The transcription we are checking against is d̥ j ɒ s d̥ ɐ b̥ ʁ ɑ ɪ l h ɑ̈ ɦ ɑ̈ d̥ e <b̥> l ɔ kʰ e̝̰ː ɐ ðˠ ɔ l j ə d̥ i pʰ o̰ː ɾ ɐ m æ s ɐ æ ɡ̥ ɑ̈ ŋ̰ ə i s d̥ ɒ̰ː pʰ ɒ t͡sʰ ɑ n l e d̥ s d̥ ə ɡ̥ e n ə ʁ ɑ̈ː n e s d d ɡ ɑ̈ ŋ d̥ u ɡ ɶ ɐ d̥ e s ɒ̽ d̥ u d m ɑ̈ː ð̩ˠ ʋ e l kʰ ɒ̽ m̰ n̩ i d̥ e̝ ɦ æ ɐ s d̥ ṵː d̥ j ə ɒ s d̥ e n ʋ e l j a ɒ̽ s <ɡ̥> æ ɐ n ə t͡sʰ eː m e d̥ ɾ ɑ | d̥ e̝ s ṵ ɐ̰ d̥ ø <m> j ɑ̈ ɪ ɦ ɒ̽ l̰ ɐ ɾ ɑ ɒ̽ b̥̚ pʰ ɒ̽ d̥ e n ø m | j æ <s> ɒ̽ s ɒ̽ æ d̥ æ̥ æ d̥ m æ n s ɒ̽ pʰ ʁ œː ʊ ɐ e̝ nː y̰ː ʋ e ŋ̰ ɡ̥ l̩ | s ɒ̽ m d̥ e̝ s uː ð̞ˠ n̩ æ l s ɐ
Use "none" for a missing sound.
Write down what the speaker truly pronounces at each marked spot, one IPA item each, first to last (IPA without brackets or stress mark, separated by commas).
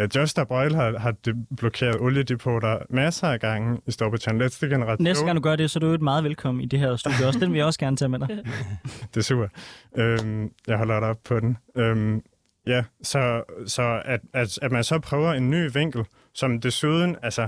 b̥, ɡ̥, m, s